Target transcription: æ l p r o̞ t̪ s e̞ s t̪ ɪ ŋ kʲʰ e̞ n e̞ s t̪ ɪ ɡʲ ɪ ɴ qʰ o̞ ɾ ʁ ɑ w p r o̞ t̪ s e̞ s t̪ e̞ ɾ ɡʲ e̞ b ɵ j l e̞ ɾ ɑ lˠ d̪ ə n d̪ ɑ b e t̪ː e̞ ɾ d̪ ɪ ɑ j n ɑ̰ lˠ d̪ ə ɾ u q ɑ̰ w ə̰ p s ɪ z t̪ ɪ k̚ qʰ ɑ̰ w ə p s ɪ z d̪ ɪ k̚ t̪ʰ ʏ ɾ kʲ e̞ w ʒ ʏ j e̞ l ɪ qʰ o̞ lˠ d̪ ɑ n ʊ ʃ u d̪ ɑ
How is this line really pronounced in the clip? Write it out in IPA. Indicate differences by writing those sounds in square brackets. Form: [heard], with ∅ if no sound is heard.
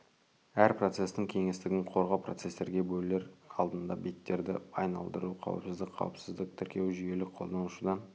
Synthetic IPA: æ [ɾ] p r o̞ t̪ s e̞ s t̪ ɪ ŋ kʲʰ e̞ [ŋ] e̞ s t̪ ɪ ɡʲ ɪ ɴ qʰ o̞ ɾ ʁ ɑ w p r o̞ t̪ s e̞ s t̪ e̞ ɾ ɡʲ e̞ b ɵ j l e̞ ɾ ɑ lˠ d̪ ə n d̪ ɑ b e t̪ː e̞ ɾ d̪ ɪ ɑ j n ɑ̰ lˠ d̪ ə ɾ u [qʰ] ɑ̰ w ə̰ p s ɪ z [d̪] ɪ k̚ qʰ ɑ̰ w ə p s ɪ z d̪ ɪ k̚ t̪ʰ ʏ ɾ kʲ e̞ w ʒ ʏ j e̞ l ɪ qʰ o̞ lˠ d̪ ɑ n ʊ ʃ u d̪ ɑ